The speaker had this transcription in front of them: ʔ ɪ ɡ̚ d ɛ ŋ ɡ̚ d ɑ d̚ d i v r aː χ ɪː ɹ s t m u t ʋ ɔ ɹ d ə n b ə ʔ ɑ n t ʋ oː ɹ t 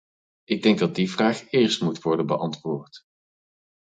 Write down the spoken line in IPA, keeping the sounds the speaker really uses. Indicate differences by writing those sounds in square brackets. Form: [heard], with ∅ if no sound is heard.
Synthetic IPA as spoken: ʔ ɪ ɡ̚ d ɛ ŋ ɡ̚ d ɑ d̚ d i v r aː χ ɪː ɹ s t m u t ʋ ɔ ɹ d ə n b ə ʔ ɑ n t ʋ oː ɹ t